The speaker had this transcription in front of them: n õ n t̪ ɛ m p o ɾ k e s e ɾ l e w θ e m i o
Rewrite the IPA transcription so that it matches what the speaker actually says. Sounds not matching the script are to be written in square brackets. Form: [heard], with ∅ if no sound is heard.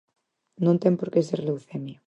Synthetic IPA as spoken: n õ n t̪ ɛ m p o ɾ k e s e ɾ l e w θ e m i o